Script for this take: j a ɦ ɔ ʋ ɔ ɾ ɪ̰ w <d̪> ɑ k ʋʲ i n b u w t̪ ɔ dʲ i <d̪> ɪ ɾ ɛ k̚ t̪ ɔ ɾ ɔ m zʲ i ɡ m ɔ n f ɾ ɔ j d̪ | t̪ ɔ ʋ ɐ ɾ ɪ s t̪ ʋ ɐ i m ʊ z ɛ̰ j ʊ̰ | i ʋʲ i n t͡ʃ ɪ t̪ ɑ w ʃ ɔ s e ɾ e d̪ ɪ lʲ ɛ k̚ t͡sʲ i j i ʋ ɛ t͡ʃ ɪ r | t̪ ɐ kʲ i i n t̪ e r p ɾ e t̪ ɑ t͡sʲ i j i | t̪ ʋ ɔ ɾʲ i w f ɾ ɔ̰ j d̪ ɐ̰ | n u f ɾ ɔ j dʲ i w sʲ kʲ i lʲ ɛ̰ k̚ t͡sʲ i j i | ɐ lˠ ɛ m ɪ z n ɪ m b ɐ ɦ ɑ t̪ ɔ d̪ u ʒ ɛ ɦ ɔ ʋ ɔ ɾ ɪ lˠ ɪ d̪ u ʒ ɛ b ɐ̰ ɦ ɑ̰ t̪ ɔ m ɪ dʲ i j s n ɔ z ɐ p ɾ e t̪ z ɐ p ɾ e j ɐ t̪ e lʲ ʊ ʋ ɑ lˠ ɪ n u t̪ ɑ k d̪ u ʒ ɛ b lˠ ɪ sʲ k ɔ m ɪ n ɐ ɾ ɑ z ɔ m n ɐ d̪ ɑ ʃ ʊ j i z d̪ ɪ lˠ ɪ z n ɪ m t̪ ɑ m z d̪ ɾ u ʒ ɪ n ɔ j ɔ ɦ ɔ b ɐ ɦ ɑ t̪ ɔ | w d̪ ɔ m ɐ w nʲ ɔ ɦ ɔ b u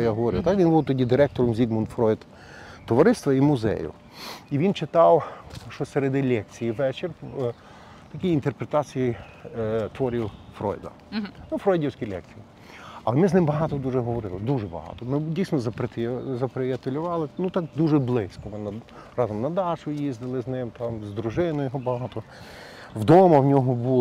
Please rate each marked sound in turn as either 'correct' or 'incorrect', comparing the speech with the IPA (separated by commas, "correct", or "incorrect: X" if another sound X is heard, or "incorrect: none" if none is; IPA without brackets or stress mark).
incorrect: t̪, correct